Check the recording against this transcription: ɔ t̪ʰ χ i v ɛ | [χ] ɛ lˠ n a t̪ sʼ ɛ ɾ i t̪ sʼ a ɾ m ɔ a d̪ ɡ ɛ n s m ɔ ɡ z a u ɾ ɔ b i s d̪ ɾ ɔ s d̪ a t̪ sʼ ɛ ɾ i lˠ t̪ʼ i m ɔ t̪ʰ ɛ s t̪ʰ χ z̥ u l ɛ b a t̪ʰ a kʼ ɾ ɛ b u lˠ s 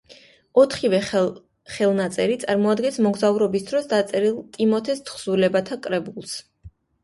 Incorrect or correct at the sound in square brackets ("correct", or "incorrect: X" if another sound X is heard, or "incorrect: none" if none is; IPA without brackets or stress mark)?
correct